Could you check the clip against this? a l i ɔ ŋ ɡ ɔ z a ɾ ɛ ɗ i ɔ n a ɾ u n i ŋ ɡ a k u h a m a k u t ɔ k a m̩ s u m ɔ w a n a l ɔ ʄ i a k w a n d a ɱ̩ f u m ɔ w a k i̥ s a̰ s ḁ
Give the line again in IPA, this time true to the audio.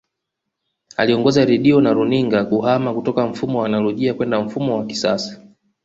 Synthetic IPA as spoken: a l i ɔ ŋ ɡ ɔ z a ɾ ɛ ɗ i ɔ n a ɾ u n i ŋ ɡ a k u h a m a k u t ɔ k a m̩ f u m ɔ w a n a l ɔ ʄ i a k w ɛ n d a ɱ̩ f u m ɔ w a k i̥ s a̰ s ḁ